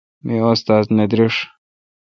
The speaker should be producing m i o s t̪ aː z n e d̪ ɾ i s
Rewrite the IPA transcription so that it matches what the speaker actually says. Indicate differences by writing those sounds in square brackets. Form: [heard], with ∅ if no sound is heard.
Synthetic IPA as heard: m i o s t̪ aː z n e d̪ ɾ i [ʂ]